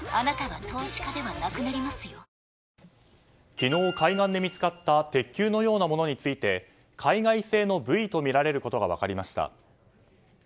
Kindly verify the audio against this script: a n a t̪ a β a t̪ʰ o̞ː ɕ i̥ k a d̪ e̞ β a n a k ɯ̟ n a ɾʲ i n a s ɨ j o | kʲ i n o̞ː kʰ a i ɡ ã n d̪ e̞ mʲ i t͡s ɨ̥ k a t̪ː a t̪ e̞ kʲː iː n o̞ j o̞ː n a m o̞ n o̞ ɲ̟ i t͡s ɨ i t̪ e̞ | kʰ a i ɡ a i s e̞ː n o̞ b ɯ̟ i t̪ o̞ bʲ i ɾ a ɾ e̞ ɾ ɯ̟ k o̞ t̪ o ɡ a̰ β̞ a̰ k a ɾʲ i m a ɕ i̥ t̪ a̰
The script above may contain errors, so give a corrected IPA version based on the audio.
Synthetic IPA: a n a t̪ a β a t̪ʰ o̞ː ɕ i̥ k a d̪ e̞ β a n a k ɯ̟ n a ɾʲ i m a s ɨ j o | kʲ i n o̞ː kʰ a i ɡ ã n d̪ e̞ mʲ i t͡s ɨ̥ k a t̪ː a t̪ e̞ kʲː ɨː n o̞ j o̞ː n a m o̞ n o̞ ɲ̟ i t͡s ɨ i t̪ e̞ | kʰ a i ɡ a i s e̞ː n o̞ b ɯ̟ i t̪ o̞ mʲ i ɾ a ɾ e̞ ɾ ɯ̟ k o̞ t̪ o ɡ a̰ β̞ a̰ k a ɾʲ i m a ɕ i̥ t̪ a̰